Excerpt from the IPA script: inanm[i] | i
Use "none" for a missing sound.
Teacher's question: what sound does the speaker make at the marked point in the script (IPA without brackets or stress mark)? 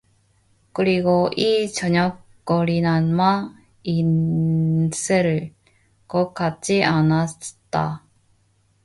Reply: a